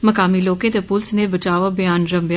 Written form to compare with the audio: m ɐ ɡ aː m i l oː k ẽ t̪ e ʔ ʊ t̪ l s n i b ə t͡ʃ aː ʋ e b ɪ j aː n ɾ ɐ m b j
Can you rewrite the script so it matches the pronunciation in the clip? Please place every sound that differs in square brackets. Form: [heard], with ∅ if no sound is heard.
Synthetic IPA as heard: m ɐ [k] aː m i l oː k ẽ t̪ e [p] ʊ [∅] l s n [e] b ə t͡ʃ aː ʋ [a] b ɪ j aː n ɾ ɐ m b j